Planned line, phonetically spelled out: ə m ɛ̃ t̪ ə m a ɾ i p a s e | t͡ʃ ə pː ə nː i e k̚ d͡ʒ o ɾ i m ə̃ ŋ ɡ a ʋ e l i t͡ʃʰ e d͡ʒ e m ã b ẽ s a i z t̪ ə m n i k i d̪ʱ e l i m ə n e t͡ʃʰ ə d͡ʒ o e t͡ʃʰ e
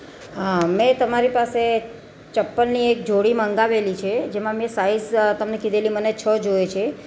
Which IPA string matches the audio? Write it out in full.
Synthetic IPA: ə m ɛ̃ t̪ ə m a ɾ i p a s e | t͡ʃ ə pː ə nː i e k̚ d͡ʒ o ɽ i m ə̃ ŋ ɡ a ʋ e l i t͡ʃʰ e d͡ʒ e m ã m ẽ s a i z t̪ ə m n e k i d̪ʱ e l i m ə n e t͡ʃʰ ə d͡ʒ o e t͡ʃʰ e